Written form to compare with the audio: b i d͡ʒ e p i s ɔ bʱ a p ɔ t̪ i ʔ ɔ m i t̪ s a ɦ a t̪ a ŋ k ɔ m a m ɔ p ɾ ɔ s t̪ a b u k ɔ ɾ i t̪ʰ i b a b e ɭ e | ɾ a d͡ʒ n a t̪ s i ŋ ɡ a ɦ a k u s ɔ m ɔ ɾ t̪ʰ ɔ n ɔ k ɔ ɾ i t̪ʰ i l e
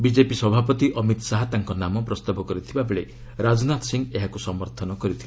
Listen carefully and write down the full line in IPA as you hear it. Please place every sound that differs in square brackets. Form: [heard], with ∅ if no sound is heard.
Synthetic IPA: b i d͡ʒ e p i s ɔ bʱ a p ɔ t̪ i ʔ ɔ m i t̪ s a ɦ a t̪ a ŋ k ɔ [n] a m ɔ p ɾ ɔ s t̪ a b [ɔ] k ɔ ɾ i t̪ʰ i b a b e ɭ e | ɾ a d͡ʒ n a t̪ s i ŋ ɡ [e] ɦ a k u s ɔ m ɔ ɾ t̪ʰ ɔ n ɔ k ɔ ɾ i t̪ʰ i l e

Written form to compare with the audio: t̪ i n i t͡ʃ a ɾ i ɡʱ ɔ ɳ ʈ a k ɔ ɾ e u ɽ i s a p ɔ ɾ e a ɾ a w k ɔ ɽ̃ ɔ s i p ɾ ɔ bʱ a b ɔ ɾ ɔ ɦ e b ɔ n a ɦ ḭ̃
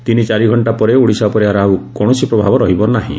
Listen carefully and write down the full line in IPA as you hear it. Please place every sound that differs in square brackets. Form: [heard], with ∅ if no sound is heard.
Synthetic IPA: t̪ i n i t͡ʃ a ɾ i ɡʱ ɔ ɳ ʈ a [p] ɔ ɾ e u ɽ i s a p ɔ ɾ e a ɾ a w k ɔ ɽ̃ ɔ s i p ɾ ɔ bʱ a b ɔ ɾ ɔ ɦ [i] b ɔ n a ɦ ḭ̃

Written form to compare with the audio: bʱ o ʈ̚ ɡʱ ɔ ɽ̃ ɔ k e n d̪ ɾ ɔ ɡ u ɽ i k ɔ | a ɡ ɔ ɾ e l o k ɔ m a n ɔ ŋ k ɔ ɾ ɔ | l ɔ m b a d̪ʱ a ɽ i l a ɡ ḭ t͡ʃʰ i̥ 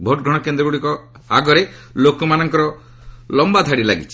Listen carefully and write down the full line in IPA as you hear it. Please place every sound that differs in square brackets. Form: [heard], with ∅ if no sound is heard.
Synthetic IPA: bʱ o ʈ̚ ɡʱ ɔ ɽ̃ ɔ k e n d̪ ɾ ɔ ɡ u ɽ i k ɔ | a ɡ ɔ ɾ e l o k ɔ m a n ɔ ŋ k ɔ ɾ ɔ | l ɔ m b a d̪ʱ a ɽ i l a ɡ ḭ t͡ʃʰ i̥

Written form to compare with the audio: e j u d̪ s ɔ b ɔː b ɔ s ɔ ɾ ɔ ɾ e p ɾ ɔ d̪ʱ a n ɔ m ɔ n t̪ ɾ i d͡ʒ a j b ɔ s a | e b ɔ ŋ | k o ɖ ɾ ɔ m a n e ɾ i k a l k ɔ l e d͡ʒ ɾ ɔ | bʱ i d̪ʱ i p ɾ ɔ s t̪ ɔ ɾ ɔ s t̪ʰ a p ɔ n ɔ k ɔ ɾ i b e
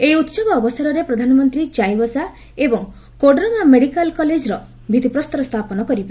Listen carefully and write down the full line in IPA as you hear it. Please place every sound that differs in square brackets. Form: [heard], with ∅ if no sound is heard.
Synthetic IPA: e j u [t̪] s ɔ b ɔː b ɔ s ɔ ɾ ɔ ɾ e p ɾ ɔ d̪ʱ a n ɔ m ɔ n t̪ ɾ i d͡ʒ a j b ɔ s a | e b ɔ ŋ | k o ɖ ɾ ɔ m a [m] e [ɽ] i k a l k ɔ l e d͡ʒ ɾ ɔ | bʱ i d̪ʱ i p ɾ ɔ s t̪ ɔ ɾ ɔ s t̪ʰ a p ɔ n ɔ k ɔ ɾ i b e

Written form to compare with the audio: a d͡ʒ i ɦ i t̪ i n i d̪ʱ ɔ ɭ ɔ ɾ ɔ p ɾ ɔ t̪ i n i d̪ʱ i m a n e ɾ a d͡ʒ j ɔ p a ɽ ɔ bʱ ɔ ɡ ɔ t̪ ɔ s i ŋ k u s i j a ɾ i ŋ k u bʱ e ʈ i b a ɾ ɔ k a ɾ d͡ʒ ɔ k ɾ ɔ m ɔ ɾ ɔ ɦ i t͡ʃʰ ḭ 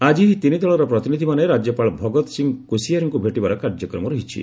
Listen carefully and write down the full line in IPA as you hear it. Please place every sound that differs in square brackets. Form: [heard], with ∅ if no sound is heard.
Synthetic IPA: a d͡ʒ i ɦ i t̪ i n i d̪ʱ ɔ ɭ ɔ ɾ ɔ p ɾ ɔ t̪ i n i d̪ʱ i m a n e ɾ a d͡ʒ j ɔ p a [ɭ] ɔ bʱ ɔ ɡ ɔ t̪ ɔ s i ŋ k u s i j a ɾ i ŋ k u bʱ e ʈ i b a ɾ ɔ k a ɾ d͡ʒ ɔ k ɾ ɔ m ɔ ɾ ɔ ɦ i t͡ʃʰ ḭ

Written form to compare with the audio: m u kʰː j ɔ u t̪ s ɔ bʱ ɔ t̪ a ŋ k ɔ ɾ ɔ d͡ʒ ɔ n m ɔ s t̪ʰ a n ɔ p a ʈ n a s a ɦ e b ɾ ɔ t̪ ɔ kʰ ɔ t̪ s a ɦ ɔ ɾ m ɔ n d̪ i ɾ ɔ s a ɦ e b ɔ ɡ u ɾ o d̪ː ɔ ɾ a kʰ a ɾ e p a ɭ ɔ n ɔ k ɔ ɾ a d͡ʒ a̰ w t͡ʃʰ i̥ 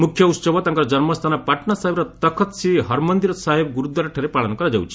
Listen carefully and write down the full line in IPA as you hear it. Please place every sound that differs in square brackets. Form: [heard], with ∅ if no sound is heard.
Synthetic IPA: m u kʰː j ɔ u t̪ s ɔ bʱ ɔ t̪ a ŋ k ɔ ɾ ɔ d͡ʒ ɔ n m ɔ s t̪ʰ a n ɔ p a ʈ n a s a ɦ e b ɾ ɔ t̪ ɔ kʰ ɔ t̪ s [i] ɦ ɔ ɾ m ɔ n d̪ i ɾ ɔ s a ɦ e b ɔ ɡ u ɾ [u] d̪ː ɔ ɾ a [ʈʰ] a ɾ e p a ɭ ɔ n ɔ k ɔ ɾ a d͡ʒ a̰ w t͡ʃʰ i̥

